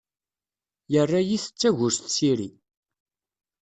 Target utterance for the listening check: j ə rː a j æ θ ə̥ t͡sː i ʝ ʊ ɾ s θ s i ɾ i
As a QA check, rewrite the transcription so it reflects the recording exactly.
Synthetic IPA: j ə rː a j i θ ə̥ t͡sː æ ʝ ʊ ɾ s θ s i ɾ i